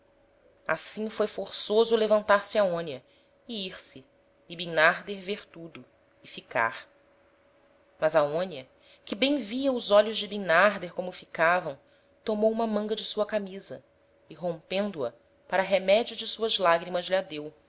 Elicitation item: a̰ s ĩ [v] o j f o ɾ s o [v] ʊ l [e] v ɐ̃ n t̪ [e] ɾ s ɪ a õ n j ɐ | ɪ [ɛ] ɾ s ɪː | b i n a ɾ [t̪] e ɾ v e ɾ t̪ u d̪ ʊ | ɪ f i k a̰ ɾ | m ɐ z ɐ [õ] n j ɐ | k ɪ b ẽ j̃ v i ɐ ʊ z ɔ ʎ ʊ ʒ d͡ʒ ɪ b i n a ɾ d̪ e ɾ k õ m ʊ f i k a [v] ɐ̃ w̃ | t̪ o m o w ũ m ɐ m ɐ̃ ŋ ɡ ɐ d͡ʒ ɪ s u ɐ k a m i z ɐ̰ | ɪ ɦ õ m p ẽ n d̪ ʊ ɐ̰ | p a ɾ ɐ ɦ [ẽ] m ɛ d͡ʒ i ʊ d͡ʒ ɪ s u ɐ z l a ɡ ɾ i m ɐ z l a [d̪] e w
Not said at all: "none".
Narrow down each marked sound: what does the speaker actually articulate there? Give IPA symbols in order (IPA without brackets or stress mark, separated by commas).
f, z, e, a, i, d̪, õ, v, e, d̪